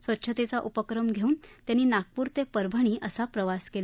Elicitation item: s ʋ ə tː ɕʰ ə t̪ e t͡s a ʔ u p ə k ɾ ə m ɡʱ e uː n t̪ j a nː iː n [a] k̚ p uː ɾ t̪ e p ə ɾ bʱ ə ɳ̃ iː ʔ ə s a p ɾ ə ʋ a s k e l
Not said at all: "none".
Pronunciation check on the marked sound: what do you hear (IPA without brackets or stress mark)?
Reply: a